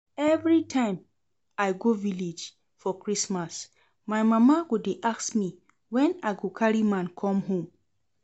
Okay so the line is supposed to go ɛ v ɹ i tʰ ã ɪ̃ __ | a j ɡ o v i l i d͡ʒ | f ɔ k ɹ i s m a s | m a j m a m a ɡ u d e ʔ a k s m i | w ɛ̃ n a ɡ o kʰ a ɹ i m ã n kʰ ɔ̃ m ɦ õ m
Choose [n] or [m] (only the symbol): m